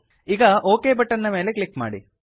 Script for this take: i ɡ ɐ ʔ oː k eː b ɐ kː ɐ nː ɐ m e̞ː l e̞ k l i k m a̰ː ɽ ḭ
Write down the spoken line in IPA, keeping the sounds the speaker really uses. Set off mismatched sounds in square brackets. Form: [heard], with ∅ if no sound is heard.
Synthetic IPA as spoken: i ɡ ɐ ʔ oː k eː b ɐ [ʈː] ɐ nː ɐ m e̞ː l e̞ k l i k m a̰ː ɽ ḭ